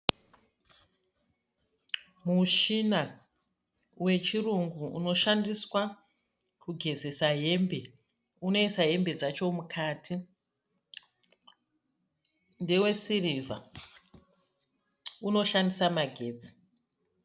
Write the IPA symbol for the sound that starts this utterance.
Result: m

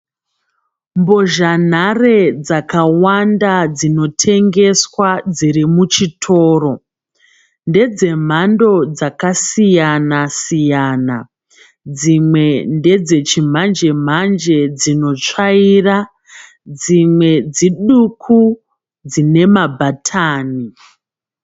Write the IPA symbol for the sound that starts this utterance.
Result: m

